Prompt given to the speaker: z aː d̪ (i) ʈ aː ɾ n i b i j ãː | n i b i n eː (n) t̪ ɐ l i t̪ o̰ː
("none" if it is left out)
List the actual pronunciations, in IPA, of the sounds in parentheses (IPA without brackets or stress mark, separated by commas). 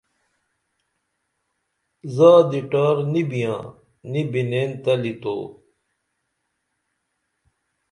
i, n